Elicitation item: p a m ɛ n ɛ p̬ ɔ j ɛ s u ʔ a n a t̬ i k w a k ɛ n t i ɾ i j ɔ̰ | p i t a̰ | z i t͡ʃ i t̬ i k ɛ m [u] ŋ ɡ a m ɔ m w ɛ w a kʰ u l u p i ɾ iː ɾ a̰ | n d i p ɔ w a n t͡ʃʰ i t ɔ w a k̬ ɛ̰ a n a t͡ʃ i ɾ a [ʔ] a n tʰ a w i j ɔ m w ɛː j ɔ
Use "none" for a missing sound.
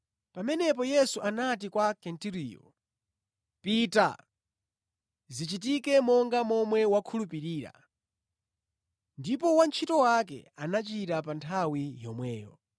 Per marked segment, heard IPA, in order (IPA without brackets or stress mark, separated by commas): ɔ, p